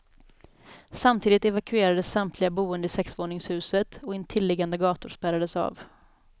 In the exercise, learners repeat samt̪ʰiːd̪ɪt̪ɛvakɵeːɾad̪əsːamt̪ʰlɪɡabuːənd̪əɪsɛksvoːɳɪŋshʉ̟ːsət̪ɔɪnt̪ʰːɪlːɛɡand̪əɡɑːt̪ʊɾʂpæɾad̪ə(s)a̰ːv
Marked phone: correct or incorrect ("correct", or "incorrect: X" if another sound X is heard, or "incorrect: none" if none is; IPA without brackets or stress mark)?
correct